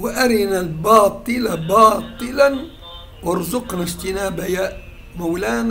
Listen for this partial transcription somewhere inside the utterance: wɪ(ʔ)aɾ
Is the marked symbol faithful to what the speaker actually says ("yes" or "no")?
yes